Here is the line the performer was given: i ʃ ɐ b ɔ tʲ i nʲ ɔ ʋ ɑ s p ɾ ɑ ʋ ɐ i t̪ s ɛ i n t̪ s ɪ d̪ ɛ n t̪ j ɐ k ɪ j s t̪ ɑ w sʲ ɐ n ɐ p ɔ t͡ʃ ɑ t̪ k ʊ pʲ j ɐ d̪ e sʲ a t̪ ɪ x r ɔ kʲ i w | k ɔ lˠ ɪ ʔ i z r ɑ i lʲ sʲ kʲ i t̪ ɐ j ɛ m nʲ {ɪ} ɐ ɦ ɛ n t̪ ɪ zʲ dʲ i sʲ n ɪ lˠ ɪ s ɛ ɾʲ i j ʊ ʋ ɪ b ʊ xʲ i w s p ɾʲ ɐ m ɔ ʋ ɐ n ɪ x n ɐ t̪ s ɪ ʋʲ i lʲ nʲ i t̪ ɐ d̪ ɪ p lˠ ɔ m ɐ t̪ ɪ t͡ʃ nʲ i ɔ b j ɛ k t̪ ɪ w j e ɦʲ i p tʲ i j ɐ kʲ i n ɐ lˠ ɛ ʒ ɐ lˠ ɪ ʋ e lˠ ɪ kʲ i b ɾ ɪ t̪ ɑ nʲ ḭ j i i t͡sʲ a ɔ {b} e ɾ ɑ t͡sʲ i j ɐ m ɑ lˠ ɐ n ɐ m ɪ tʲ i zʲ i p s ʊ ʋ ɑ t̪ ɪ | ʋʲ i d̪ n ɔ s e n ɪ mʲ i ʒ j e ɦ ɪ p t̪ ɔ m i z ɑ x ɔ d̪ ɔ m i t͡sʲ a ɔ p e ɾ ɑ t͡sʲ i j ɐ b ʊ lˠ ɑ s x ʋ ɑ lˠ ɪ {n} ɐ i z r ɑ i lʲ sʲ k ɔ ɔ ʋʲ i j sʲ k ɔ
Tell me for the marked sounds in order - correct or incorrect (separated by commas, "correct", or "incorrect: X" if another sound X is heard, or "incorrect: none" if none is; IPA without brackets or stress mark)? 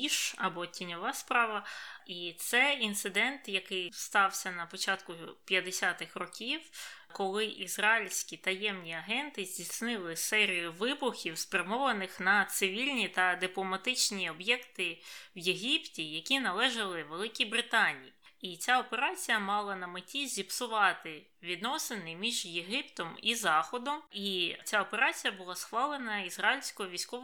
incorrect: i, incorrect: p, correct